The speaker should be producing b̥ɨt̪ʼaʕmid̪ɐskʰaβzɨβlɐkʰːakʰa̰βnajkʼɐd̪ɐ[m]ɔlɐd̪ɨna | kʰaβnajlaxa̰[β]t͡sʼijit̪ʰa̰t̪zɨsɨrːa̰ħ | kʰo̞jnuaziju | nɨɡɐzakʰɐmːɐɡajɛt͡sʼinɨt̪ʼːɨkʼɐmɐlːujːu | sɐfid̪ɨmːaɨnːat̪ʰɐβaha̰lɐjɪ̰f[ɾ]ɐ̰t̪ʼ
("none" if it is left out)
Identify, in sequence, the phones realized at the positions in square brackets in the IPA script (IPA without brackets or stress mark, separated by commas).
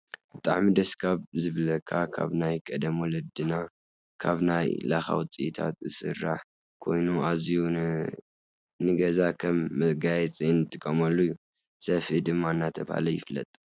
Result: m, w, l